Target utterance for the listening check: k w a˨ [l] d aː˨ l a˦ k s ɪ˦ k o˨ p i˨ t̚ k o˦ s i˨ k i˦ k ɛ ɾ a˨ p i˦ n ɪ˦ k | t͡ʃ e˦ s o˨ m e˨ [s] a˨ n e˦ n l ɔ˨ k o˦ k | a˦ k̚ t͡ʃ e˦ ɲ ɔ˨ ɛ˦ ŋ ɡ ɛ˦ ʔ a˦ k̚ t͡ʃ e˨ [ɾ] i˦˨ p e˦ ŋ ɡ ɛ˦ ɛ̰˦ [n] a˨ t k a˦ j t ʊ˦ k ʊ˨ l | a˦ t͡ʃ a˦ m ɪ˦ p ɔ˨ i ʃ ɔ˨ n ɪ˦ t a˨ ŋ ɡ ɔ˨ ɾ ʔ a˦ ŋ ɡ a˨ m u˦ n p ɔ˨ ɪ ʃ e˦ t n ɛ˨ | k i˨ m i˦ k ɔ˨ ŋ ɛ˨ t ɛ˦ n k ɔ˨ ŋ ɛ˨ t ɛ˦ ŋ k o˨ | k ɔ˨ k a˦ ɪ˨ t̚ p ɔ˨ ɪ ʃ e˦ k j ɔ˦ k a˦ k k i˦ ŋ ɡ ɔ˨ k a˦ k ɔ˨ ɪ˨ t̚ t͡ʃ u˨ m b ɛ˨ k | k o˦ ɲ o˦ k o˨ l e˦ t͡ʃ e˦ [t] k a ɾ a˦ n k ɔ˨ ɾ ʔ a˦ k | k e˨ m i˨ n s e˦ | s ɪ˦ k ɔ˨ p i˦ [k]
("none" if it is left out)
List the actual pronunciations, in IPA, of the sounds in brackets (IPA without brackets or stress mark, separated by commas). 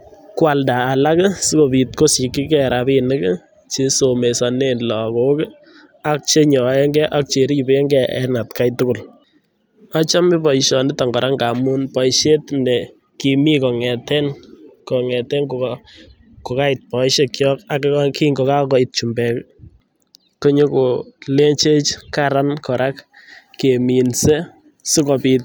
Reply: l, s, ɾ, n, t͡ʃ, t